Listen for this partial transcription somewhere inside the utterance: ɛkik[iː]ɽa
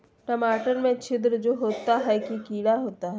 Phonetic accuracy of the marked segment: correct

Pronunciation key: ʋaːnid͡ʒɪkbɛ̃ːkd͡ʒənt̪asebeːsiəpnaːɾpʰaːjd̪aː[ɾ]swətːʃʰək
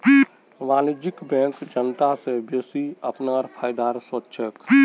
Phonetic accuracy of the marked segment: correct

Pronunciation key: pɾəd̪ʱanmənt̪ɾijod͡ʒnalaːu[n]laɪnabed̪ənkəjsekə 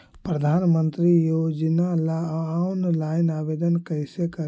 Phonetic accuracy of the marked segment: correct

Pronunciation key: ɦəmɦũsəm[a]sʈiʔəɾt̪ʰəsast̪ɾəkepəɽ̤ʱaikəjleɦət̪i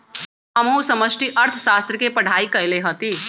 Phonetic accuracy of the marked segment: incorrect: ə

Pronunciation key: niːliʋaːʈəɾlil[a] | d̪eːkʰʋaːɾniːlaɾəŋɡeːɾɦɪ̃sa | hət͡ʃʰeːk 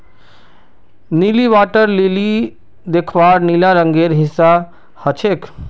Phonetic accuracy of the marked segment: incorrect: i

